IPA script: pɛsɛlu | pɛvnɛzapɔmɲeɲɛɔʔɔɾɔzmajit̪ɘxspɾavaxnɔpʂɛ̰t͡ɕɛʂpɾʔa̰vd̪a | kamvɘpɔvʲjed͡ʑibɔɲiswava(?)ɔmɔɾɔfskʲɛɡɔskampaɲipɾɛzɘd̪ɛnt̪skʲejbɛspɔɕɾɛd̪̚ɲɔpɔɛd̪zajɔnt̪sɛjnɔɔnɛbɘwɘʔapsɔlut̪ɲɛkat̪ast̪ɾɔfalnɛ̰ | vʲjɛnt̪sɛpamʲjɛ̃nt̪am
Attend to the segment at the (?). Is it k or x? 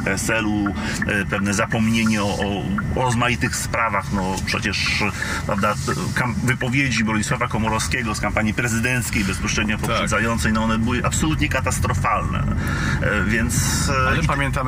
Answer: k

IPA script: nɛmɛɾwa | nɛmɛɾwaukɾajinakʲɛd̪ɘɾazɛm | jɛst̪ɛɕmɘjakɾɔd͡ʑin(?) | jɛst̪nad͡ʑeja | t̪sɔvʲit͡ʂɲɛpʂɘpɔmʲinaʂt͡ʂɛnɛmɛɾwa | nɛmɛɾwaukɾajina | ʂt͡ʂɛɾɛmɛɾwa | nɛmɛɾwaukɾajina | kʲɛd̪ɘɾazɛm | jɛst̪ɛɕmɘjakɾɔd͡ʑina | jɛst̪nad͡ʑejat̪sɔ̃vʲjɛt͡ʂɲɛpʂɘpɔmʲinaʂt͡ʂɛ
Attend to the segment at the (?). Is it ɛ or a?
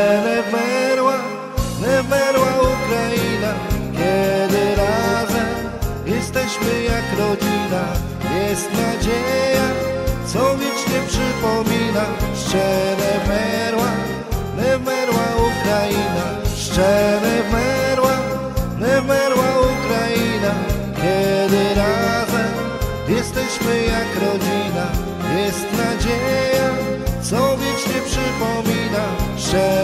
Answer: a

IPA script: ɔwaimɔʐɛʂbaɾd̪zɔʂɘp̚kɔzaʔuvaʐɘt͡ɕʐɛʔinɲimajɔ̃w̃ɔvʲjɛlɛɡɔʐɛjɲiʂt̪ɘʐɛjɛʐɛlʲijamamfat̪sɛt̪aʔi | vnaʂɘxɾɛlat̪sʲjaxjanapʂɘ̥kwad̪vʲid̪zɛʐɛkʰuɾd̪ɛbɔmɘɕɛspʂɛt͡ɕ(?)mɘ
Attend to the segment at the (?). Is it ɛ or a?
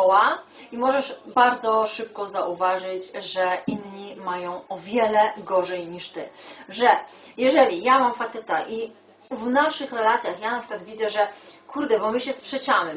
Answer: a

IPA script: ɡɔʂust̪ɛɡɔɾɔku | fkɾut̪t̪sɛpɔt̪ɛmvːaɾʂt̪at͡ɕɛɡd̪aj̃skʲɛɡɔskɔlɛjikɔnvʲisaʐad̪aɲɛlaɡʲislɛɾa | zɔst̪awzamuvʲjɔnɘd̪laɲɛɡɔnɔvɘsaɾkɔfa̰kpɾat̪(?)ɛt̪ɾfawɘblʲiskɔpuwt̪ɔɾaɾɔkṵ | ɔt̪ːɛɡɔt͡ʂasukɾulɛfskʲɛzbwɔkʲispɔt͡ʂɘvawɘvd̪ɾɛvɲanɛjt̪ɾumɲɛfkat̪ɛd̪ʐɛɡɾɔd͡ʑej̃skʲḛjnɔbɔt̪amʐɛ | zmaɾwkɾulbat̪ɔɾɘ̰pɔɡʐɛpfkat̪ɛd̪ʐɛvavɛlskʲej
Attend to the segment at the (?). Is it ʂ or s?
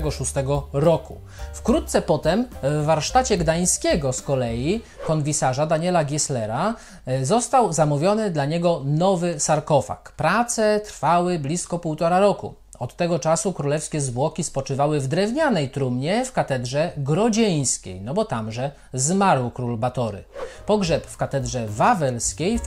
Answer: s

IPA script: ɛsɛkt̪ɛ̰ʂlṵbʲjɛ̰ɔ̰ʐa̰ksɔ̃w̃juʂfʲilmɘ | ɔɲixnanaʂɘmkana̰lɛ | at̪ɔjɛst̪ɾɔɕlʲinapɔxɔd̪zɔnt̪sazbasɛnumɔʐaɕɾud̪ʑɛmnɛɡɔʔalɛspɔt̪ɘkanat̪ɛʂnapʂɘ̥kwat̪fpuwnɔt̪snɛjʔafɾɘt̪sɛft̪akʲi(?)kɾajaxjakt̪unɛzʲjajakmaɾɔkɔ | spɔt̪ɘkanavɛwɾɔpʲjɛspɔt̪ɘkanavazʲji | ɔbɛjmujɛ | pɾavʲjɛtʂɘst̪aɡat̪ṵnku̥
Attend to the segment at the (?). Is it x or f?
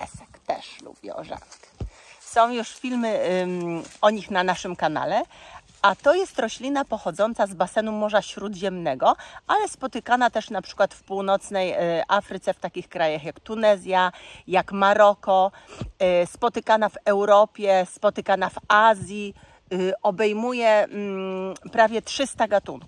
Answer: x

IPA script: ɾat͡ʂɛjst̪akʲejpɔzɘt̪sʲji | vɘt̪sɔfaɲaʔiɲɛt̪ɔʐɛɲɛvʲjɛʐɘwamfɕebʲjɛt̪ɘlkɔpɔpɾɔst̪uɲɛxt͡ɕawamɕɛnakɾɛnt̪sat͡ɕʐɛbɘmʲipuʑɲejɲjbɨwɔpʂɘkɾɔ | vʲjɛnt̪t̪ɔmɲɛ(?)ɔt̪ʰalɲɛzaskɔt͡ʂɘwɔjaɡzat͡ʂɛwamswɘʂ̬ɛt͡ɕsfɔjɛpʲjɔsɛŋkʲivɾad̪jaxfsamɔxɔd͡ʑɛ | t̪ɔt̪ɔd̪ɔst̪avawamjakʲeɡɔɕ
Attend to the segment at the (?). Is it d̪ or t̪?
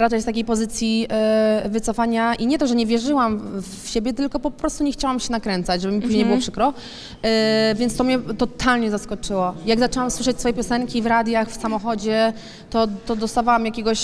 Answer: t̪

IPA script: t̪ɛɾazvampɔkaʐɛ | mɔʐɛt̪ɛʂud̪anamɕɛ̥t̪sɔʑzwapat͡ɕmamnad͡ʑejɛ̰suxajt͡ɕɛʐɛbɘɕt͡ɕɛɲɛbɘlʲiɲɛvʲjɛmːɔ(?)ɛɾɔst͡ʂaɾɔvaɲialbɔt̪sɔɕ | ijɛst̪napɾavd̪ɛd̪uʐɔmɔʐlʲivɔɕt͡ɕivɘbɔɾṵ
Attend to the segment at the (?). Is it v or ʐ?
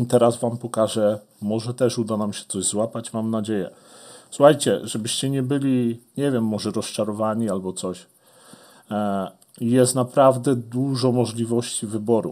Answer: ʐ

